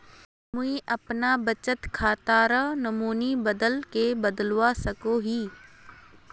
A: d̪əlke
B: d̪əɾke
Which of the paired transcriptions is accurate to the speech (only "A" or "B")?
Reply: A